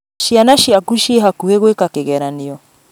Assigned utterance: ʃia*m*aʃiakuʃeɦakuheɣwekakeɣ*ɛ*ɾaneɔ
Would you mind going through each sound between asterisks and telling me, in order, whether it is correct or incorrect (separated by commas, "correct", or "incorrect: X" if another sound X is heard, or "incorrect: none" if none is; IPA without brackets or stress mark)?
incorrect: n, correct